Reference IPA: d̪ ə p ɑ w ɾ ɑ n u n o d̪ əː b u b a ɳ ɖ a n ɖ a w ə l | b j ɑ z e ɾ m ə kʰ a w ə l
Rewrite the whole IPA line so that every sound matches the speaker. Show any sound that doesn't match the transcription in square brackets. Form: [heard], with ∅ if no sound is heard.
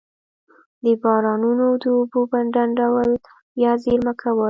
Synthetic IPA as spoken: d̪ ə [b] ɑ [∅] ɾ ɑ n u n o d̪ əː b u b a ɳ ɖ a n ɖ a w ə l | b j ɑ z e ɾ m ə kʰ a w ə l